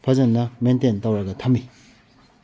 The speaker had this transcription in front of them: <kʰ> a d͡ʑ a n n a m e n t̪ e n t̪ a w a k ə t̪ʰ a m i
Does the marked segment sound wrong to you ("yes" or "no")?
yes